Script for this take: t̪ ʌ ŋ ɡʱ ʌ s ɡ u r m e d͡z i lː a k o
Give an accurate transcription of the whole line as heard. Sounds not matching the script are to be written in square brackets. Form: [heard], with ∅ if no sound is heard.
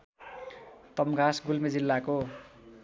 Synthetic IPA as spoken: t̪ ʌ [m] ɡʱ [a] s ɡ u [l] m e d͡z i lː a k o